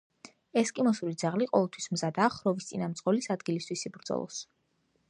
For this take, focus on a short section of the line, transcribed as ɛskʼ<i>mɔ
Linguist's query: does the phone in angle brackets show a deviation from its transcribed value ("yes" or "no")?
no